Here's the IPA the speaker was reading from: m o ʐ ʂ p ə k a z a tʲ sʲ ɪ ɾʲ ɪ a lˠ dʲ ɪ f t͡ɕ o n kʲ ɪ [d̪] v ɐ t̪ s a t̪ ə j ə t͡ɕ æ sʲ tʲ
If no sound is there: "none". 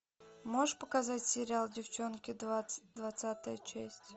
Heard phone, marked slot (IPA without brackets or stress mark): d̪